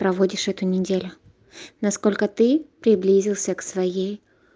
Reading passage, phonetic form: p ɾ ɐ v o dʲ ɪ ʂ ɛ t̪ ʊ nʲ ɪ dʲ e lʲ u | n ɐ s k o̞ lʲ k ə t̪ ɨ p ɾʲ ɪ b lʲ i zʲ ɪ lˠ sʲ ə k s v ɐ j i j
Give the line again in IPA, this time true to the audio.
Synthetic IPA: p ɾ ɐ v o dʲ ɪ ʂ ɛ t̪ ʊ nʲ ɪ dʲ e lʲ ʊ | n ɐ s k o̞ lʲ k ə t̪ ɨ p ɾʲ ɪ b lʲ i zʲ ɪ lˠ sʲ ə k s v ɐ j e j